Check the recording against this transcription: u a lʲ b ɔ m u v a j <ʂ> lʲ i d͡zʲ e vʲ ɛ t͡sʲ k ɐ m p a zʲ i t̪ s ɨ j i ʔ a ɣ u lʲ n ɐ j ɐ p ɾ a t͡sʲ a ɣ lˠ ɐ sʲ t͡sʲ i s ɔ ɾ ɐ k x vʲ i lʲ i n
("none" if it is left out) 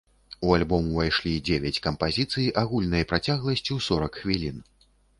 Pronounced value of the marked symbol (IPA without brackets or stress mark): ʂ